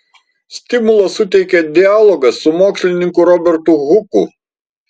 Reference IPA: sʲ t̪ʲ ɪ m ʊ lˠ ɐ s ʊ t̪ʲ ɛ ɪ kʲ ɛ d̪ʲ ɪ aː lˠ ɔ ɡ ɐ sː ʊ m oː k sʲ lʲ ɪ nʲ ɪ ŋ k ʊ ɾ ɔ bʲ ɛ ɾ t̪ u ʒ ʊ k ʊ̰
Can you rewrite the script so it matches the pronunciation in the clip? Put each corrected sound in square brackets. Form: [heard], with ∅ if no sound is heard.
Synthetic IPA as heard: sʲ t̪ʲ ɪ m ʊ lˠ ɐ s ʊ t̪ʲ ɛ ɪ kʲ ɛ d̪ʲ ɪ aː lˠ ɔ ɡ ɐ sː ʊ m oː k sʲ lʲ ɪ nʲ ɪ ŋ k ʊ ɾ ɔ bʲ ɛ ɾ t̪ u [ɣ] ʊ k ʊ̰